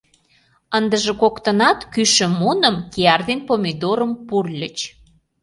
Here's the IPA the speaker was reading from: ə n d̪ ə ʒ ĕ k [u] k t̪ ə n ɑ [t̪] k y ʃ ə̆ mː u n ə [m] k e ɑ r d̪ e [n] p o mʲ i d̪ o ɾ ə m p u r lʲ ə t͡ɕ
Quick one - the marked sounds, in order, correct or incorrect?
incorrect, correct, correct, correct

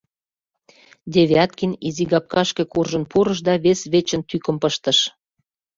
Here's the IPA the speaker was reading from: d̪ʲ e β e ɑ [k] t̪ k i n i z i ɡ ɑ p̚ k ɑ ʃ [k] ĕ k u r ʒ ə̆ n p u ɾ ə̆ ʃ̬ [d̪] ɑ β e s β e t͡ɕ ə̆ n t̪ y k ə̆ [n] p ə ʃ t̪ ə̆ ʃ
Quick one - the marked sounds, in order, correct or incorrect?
incorrect, correct, correct, incorrect

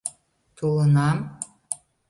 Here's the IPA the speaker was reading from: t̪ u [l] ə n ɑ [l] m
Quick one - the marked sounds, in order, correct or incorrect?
correct, incorrect

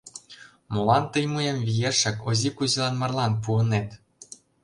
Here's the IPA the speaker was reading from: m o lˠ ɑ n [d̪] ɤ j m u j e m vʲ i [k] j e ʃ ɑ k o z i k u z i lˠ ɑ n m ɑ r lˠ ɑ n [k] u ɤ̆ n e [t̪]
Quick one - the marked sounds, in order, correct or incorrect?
incorrect, incorrect, incorrect, correct

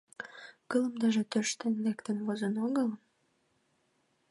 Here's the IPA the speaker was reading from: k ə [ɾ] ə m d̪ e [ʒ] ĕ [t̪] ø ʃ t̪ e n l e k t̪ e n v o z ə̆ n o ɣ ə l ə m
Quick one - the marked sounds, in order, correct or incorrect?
incorrect, correct, correct

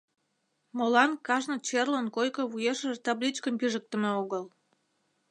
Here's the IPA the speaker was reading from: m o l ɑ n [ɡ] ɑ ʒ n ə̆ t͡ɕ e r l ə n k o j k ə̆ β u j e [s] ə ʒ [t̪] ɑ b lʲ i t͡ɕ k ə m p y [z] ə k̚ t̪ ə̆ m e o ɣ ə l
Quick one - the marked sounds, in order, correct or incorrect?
incorrect, incorrect, correct, incorrect

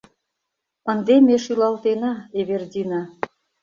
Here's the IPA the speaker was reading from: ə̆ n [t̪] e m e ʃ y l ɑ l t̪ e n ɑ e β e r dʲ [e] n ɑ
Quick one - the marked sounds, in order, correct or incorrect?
incorrect, incorrect

